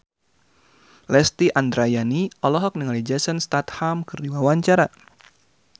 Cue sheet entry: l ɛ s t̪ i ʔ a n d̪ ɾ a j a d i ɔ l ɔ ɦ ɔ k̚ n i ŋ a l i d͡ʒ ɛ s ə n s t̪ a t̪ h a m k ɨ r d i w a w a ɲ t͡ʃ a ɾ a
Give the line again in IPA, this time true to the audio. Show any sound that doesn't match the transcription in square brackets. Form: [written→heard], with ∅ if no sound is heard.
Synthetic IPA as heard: l ɛ s t̪ i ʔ a n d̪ ɾ a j a [d→n] i ɔ l ɔ ɦ ɔ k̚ n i ŋ a l i d͡ʒ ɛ s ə n s t̪ a t̪ h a m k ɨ r d i w a w a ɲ t͡ʃ a ɾ a